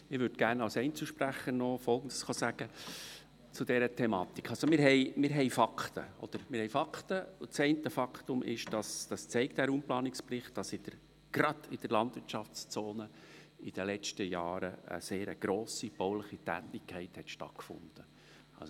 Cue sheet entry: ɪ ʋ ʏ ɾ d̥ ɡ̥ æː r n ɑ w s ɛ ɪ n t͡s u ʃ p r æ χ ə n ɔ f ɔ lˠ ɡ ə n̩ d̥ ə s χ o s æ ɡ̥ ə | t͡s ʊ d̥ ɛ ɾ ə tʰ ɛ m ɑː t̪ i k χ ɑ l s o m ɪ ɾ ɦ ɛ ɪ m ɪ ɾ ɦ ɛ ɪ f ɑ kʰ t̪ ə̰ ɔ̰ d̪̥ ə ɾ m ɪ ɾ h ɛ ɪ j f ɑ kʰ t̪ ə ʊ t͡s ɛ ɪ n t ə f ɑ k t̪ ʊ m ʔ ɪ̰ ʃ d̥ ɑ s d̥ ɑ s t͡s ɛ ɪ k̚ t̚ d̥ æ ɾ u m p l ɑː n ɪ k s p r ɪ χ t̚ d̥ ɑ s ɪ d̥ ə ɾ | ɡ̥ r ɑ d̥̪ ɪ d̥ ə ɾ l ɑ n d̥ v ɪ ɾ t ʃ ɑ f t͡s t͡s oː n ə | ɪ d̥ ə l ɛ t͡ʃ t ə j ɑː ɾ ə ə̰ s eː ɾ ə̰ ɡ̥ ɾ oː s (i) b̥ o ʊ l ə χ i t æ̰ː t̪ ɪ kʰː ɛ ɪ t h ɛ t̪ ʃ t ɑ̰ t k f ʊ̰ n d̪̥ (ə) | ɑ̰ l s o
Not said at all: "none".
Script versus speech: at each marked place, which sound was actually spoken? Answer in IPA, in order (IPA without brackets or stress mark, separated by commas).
i, ə